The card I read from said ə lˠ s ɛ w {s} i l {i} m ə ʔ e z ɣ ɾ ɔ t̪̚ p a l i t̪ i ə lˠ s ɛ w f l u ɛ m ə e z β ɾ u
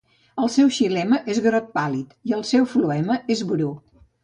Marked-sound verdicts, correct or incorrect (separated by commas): incorrect, incorrect